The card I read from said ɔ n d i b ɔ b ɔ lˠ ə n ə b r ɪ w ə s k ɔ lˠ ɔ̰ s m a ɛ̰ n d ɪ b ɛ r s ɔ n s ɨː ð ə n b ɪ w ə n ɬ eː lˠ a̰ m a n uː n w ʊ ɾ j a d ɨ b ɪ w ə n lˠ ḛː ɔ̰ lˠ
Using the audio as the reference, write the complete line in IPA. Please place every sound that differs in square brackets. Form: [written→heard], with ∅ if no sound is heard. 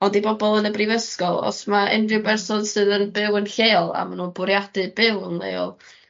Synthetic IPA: ɔ n d i b ɔ b ɔ lˠ ə n ə b r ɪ [w→v] ə s k ɔ lˠ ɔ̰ s m a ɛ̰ n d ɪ b ɛ r s ɔ n s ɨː ð ə n b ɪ w ə n ɬ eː lˠ a̰ m a n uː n [w→b] ʊ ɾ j a d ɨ b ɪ w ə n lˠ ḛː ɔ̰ lˠ